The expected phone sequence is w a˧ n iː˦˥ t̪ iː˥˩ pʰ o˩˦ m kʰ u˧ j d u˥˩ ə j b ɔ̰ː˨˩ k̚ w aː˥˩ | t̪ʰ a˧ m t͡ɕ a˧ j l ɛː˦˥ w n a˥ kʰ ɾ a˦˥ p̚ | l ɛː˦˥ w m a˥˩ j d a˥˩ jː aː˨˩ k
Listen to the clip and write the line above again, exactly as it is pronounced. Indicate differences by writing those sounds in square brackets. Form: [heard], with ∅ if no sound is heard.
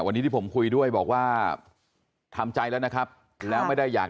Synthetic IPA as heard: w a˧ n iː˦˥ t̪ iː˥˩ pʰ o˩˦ m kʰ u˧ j d u˥˩ ə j b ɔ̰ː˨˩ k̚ w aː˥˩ | t̪ʰ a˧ m t͡ɕ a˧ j l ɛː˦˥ w n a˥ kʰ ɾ a˦˥ p̚ | l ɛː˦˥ w m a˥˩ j d a˥˩ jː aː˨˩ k